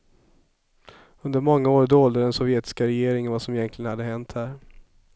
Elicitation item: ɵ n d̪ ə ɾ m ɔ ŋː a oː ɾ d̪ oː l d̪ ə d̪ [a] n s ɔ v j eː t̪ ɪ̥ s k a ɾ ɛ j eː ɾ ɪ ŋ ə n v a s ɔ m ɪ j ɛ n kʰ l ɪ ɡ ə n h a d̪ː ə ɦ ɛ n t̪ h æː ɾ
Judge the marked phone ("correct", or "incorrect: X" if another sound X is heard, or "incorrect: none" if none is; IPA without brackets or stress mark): incorrect: ɛ